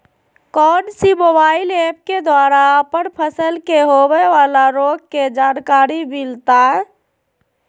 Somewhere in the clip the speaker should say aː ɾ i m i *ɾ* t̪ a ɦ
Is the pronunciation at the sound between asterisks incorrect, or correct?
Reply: incorrect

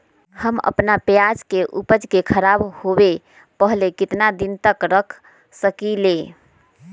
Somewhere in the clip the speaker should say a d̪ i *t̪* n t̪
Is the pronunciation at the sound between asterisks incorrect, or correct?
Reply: incorrect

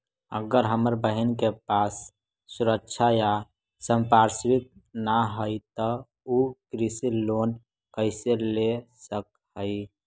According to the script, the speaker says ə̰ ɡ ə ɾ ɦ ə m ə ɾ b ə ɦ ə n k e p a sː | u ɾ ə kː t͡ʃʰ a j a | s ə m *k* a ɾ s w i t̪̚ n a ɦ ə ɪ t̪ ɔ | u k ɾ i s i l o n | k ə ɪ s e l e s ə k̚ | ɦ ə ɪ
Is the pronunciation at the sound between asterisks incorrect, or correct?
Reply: incorrect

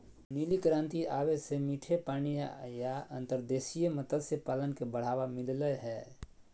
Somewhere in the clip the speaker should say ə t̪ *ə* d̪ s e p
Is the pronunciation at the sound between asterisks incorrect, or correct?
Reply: correct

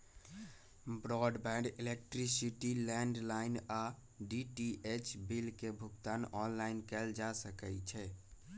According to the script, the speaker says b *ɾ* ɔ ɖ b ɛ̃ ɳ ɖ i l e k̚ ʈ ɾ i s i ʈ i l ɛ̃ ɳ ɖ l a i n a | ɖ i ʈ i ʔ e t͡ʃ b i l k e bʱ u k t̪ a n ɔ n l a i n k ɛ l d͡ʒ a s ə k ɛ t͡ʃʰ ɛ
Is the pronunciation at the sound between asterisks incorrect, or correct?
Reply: correct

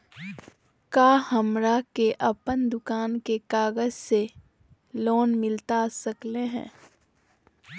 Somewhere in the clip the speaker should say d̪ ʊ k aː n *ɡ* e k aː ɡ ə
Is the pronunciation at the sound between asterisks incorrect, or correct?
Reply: incorrect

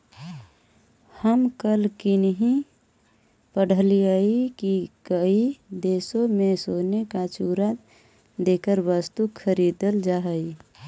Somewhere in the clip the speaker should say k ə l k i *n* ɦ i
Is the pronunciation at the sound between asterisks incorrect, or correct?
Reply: correct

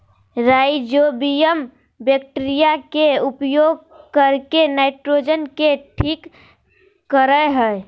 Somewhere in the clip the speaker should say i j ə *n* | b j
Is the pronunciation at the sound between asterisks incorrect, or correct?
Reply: incorrect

